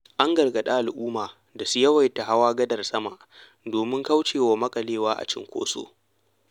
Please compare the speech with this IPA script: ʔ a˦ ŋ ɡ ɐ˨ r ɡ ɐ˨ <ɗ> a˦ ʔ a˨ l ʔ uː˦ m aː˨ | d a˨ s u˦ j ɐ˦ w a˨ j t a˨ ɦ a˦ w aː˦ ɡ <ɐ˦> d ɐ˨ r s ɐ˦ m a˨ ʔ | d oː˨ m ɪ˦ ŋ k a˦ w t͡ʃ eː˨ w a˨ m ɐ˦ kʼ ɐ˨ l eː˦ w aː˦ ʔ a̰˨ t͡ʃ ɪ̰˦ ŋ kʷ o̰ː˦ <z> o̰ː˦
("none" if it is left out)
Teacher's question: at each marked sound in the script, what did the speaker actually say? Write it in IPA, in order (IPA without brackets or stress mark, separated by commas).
ɗ, ɐ˦, s